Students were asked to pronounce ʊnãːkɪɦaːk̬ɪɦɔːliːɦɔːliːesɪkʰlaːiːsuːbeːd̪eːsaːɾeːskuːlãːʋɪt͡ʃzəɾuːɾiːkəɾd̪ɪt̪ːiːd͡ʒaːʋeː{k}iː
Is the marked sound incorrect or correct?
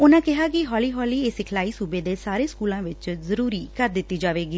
incorrect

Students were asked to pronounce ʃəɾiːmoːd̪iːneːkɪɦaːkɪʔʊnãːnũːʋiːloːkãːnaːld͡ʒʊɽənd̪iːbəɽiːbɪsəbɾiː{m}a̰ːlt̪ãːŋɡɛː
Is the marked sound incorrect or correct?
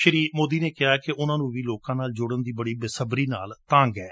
incorrect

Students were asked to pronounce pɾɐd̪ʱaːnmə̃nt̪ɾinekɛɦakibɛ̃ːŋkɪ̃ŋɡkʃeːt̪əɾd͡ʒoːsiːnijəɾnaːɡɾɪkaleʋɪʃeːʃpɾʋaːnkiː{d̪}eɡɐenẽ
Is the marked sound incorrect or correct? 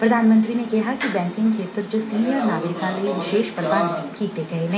incorrect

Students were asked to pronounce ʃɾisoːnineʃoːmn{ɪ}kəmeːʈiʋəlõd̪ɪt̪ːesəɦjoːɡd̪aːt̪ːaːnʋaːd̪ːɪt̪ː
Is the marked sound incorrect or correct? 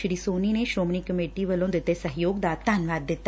incorrect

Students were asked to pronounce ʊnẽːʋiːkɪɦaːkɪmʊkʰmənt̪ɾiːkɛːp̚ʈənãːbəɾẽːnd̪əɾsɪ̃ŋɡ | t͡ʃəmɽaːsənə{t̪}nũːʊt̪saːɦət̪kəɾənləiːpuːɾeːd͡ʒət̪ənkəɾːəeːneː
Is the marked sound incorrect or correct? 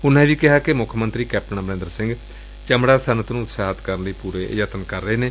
correct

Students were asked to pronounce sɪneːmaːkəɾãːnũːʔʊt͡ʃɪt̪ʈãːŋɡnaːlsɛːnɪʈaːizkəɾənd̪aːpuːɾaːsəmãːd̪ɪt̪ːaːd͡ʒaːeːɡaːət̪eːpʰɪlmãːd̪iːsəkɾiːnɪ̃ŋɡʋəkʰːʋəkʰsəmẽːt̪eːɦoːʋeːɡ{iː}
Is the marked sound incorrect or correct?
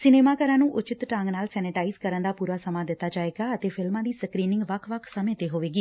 correct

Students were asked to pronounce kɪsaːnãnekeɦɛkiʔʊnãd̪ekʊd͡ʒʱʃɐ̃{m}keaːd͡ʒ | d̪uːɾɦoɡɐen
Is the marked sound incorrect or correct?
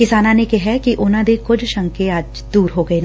incorrect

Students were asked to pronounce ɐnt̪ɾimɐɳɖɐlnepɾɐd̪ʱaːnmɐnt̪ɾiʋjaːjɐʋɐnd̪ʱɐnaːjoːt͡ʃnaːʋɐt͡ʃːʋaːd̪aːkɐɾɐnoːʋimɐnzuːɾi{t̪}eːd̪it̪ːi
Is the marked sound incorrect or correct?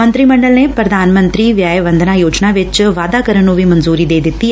incorrect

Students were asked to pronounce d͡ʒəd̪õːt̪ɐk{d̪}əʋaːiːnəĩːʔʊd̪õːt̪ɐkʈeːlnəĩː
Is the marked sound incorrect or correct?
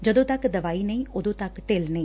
correct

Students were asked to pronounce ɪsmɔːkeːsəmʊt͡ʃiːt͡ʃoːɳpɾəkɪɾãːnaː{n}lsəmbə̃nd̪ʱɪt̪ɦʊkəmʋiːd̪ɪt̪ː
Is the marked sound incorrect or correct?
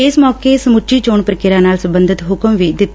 incorrect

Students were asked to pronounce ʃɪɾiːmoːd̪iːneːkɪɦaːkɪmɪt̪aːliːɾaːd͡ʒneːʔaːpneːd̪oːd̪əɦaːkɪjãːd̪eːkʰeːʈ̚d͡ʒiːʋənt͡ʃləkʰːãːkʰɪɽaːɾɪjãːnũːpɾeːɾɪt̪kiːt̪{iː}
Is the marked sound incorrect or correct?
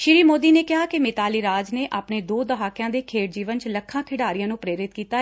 incorrect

